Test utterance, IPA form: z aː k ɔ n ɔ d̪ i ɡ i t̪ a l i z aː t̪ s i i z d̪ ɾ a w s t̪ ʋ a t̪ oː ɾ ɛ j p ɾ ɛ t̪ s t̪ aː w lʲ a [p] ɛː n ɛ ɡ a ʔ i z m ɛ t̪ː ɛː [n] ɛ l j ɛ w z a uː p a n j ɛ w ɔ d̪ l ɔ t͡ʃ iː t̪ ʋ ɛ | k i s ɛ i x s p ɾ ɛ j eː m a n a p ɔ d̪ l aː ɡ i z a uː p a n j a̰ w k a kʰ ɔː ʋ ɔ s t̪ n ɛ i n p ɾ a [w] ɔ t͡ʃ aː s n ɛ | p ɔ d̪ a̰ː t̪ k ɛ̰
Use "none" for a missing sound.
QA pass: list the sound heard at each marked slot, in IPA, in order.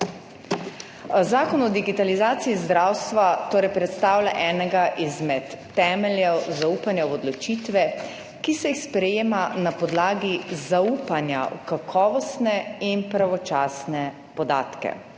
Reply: ʔ, m, ʋ

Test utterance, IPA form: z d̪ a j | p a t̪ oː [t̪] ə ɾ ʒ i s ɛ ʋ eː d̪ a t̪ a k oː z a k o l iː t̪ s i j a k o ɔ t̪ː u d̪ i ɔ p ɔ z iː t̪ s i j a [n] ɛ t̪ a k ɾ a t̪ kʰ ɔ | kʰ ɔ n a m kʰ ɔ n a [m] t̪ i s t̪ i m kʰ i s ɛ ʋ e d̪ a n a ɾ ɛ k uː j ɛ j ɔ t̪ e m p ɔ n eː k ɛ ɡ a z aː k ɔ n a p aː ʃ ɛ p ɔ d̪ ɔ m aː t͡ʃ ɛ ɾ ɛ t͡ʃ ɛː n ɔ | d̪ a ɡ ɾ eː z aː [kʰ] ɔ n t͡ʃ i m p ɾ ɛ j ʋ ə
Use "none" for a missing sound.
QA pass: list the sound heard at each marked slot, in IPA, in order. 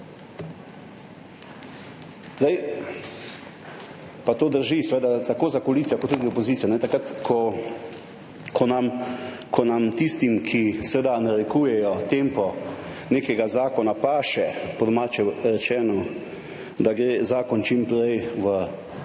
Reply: d̪, n, m, k

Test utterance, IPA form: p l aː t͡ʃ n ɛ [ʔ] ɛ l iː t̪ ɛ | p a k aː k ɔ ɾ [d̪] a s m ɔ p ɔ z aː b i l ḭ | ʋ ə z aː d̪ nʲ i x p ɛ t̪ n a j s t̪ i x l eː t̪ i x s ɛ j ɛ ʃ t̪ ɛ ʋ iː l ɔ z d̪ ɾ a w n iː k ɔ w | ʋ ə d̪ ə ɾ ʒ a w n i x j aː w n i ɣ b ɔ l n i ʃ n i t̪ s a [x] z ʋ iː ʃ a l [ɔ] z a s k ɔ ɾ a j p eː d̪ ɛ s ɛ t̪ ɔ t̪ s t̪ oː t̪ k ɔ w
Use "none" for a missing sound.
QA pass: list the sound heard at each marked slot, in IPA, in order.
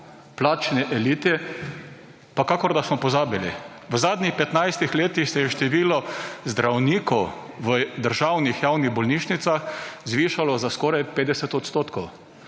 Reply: ʔ, d̪, x, ɔ

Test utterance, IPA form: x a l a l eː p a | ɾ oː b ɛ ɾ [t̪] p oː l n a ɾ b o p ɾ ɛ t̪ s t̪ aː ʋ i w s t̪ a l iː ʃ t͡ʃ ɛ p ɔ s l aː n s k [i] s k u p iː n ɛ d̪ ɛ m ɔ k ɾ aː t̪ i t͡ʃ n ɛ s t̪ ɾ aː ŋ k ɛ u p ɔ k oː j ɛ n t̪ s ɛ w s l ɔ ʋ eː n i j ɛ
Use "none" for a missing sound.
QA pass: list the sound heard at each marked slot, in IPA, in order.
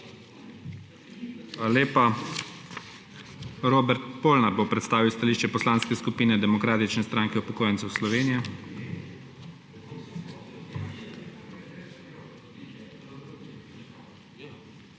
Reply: t̪, ɛ

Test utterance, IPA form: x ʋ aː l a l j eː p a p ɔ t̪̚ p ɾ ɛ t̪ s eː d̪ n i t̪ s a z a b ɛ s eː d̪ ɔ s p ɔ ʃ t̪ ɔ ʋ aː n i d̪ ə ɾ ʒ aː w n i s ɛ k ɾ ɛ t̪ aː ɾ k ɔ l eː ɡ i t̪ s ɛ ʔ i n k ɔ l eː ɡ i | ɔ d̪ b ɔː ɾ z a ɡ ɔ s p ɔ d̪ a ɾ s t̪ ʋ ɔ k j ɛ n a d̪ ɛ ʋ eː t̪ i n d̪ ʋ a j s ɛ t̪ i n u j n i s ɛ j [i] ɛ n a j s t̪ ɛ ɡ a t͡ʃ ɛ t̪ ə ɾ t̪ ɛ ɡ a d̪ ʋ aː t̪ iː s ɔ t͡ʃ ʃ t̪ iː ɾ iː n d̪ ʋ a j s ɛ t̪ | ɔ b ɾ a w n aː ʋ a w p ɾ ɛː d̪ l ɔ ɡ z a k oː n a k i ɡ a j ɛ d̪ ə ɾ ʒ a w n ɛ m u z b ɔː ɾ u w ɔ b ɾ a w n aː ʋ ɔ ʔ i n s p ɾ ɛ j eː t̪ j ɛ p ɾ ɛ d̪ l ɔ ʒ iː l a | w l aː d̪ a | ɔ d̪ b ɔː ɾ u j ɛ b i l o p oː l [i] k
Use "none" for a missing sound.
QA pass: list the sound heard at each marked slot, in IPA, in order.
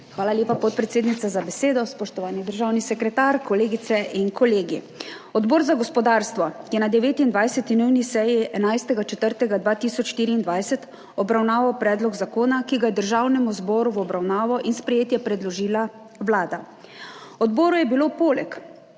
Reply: i, ɛ

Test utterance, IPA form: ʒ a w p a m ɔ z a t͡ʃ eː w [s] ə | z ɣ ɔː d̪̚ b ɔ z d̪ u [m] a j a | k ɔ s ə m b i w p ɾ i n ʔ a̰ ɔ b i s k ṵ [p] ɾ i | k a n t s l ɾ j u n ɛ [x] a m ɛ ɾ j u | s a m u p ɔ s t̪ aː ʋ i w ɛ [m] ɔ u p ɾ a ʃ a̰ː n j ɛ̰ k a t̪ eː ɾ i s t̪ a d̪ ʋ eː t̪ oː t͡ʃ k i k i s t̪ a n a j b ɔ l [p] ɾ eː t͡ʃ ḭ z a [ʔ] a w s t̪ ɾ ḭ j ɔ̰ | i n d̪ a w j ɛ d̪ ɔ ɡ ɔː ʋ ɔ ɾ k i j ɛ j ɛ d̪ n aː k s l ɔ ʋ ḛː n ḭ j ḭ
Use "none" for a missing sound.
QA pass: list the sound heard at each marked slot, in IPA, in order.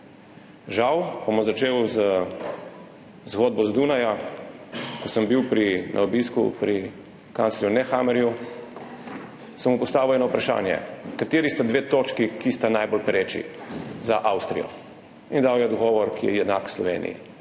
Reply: z, n, p, x, n, p, ʔ

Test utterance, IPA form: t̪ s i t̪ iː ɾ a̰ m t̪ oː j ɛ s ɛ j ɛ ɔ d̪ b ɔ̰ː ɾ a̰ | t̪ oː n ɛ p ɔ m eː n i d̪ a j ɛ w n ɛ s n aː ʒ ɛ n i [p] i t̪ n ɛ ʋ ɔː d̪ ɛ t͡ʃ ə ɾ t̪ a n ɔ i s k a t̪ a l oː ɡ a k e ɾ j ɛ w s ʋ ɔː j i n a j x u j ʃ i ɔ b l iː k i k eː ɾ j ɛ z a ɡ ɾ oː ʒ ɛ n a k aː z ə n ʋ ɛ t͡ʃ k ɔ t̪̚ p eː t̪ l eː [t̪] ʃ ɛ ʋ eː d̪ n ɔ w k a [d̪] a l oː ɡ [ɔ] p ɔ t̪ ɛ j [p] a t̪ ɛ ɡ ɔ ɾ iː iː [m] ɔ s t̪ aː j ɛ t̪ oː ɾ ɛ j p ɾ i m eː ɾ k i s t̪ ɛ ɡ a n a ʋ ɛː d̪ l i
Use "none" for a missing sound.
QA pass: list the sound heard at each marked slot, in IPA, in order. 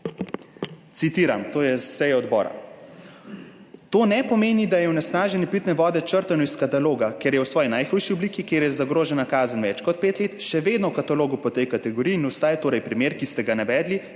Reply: p, t̪, t̪, u, k, n

